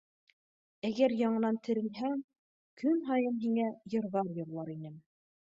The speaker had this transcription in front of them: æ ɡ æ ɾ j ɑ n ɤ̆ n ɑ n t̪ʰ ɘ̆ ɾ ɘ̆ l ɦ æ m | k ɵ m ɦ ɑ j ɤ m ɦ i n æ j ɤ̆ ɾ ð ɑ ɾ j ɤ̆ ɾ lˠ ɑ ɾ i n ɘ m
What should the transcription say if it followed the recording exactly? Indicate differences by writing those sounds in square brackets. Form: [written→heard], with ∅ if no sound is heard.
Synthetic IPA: æ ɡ æ ɾ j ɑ [n→ɴ] ɤ̆ n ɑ n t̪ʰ ɘ̆ ɾ ɘ̆ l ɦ æ [m→ŋ] | k ɵ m ɦ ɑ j ɤ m ɦ i [n→ŋ] æ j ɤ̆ ɾ ð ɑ ɾ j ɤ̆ ɾ lˠ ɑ ɾ i n ɘ m

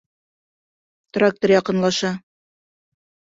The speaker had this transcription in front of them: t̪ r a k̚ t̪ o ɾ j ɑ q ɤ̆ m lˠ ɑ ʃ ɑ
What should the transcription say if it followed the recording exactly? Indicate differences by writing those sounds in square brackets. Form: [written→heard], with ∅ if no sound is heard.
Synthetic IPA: t̪ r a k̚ t̪ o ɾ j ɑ q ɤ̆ [m→n] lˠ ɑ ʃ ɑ

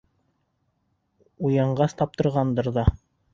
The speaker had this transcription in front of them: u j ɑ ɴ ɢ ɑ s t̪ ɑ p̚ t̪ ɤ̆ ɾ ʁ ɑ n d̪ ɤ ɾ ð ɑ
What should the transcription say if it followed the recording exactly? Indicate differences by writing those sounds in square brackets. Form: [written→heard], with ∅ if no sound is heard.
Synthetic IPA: u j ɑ ɴ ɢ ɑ s t̪ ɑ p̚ t̪ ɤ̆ ɾ ʁ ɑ n d̪ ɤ ɾ ð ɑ

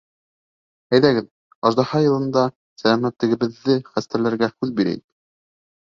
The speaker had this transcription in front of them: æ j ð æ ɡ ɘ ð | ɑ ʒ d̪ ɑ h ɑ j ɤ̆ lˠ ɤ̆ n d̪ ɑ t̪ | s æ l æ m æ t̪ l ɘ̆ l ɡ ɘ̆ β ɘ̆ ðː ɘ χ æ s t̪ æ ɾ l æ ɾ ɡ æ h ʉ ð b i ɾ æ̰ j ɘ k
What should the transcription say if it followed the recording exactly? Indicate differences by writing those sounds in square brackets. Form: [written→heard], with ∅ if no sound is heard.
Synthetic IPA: æ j ð æ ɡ ɘ ð | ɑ ʒ d̪ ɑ h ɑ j ɤ̆ lˠ ɤ̆ n d̪ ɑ [t̪→∅] | s æ l æ m æ t̪ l ɘ̆ [l→∅] ɡ ɘ̆ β ɘ̆ ðː ɘ χ æ s t̪ æ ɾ l æ ɾ ɡ æ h ʉ ð b i ɾ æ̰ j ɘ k

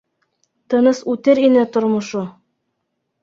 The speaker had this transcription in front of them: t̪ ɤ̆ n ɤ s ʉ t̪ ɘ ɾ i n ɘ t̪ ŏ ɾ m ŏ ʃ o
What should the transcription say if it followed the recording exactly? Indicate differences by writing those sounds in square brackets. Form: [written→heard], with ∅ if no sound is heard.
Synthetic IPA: t̪ ɤ̆ n ɤ s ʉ t̪ ɘ ɾ i n ɘ t̪ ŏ ɾ m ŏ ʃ o

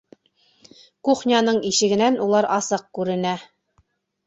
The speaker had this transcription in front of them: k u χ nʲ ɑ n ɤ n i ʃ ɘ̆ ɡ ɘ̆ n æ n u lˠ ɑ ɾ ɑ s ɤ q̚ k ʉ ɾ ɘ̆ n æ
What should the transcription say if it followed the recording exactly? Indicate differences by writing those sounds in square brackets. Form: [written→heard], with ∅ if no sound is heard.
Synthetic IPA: k u χ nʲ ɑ n ɤ [n→ɴ] i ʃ ɘ̆ ɡ ɘ̆ n æ n u lˠ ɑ ɾ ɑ s ɤ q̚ k ʉ ɾ ɘ̆ n æ

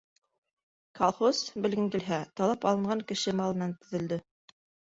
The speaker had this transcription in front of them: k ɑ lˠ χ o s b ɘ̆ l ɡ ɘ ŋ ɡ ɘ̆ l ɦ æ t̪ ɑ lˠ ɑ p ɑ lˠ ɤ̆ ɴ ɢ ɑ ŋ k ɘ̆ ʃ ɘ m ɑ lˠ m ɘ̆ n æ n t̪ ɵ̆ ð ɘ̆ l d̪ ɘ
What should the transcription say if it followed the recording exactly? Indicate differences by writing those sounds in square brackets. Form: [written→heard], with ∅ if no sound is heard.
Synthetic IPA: k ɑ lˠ χ o s b ɘ̆ l ɡ ɘ ŋ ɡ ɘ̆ l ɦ æ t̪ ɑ lˠ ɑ p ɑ lˠ ɤ̆ ɴ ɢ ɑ ŋ k ɘ̆ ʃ ɘ m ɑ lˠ m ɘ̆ n æ n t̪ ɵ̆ ð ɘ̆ l d̪ ɘ

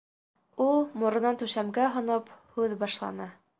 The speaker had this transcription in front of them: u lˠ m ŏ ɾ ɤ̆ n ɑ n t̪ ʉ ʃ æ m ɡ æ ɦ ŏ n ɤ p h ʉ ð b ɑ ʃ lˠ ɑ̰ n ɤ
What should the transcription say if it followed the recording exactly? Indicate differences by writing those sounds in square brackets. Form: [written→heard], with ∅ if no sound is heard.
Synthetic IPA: u lˠ m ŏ ɾ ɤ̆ n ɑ n t̪ ʉ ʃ æ m ɡ æ ɦ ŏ n ɤ p h ʉ ð b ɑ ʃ lˠ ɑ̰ n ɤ

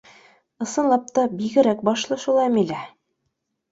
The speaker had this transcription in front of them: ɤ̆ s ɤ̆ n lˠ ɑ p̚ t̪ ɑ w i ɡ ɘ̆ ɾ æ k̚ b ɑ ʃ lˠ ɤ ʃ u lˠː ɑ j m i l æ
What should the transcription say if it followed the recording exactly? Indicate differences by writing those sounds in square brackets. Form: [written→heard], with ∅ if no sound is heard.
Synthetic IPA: ɤ̆ s ɤ̆ n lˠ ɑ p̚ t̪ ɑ [w→b] i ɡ ɘ̆ ɾ æ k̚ b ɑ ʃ lˠ ɤ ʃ u [lˠː→lˠ] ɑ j m i l æ

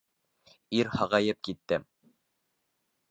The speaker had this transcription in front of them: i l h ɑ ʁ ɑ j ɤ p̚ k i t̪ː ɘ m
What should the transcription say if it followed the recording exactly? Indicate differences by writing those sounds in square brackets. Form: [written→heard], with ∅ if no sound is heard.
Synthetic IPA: i [l→ɾ] h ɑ ʁ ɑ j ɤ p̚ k i t̪ː ɘ m

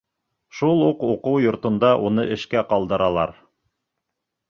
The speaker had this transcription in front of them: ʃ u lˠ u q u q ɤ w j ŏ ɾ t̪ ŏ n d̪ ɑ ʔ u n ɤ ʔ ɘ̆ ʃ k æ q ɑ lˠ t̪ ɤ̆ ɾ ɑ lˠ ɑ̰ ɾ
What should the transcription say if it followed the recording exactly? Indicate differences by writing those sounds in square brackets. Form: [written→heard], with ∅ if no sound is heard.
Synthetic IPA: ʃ u lˠ u q u q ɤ w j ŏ ɾ t̪ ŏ n d̪ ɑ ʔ u n ɤ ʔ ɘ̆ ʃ k æ q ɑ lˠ [t̪→d̪] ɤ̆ ɾ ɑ lˠ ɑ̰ ɾ

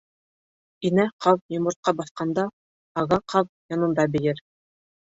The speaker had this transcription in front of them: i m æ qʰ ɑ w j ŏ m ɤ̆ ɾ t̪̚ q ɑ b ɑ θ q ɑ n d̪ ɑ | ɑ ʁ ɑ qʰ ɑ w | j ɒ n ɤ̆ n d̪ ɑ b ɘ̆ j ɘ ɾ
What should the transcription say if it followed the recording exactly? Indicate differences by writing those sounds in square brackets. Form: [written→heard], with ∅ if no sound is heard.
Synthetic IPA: i [m→n] æ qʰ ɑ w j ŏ m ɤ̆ ɾ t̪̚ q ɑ b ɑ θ q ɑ n d̪ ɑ | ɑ ʁ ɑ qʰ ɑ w | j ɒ n ɤ̆ n d̪ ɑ b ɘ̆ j ɘ ɾ

